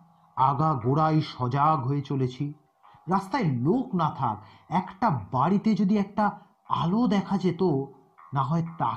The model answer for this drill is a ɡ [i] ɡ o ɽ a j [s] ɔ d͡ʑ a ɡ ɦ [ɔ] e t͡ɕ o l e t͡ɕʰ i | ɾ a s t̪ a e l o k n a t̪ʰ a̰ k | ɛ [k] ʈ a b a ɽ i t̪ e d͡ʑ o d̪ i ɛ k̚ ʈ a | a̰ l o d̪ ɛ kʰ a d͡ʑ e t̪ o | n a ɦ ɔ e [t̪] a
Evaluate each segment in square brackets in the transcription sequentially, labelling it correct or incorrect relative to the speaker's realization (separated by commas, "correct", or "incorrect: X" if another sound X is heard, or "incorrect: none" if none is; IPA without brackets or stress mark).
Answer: incorrect: a, incorrect: ʃ, incorrect: o, correct, correct